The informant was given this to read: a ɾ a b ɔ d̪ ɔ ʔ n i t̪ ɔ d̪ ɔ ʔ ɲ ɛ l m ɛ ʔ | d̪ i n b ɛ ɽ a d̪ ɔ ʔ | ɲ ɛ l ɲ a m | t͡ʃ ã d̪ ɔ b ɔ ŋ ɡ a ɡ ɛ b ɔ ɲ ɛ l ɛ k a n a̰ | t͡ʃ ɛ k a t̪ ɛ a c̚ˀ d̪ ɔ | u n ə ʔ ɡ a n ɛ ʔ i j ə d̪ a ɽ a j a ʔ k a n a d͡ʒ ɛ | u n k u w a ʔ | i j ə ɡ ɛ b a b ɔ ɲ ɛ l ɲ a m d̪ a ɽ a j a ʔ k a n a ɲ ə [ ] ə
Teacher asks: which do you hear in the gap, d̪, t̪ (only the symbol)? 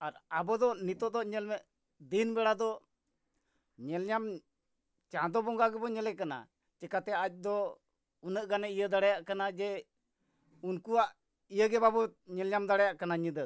d̪